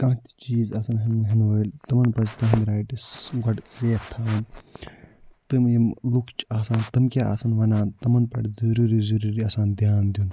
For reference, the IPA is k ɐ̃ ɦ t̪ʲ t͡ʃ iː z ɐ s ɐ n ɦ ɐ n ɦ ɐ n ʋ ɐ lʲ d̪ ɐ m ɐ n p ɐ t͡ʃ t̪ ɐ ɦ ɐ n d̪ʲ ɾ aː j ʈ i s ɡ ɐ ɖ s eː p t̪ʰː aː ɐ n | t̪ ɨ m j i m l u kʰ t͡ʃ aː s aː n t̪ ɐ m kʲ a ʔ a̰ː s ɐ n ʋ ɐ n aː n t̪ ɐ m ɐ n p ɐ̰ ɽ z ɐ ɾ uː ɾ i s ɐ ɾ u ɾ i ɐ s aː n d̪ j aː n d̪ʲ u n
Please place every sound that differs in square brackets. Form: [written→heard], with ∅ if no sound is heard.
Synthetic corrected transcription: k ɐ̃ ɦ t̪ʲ t͡ʃ iː z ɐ s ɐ n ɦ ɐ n ɦ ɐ n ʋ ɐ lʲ [d̪→t̪] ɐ m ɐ n p ɐ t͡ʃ t̪ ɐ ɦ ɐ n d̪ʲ ɾ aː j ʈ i s ɡ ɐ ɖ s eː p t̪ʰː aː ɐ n | t̪ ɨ m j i m l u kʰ t͡ʃ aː s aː n t̪ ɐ m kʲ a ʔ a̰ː s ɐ n ʋ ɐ n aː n t̪ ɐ m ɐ n p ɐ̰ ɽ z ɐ ɾ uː ɾ i [s→z] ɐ ɾ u ɾ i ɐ s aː n d̪ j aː n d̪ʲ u n